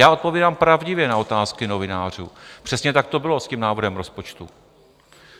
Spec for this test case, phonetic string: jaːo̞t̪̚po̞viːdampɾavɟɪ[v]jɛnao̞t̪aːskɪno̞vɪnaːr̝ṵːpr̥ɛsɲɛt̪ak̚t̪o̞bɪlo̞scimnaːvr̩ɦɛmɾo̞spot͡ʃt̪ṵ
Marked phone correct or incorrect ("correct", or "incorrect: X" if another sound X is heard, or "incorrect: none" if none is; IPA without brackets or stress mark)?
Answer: correct